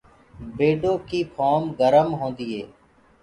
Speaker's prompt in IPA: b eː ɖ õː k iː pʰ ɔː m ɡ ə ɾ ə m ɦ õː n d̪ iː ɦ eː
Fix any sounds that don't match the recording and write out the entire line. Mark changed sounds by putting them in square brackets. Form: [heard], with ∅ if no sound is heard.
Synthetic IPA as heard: b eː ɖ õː k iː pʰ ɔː m ɡ ə ɾ ə m ɦ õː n d̪ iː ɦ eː